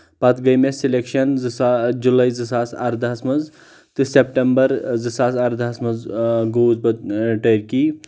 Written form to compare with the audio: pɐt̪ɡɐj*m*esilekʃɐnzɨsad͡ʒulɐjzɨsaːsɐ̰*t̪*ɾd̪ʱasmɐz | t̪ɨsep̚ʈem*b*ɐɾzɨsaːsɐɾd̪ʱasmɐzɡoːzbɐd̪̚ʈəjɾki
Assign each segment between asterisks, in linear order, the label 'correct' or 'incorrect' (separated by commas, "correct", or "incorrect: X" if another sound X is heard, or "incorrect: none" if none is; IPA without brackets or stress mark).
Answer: correct, incorrect: none, correct